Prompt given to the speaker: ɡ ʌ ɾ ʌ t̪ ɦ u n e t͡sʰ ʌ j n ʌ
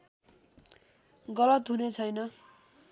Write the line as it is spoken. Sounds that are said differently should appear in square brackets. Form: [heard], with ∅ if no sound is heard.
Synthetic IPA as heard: ɡ ʌ [l] ʌ t̪ ɦ u n e t͡sʰ ʌ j n ʌ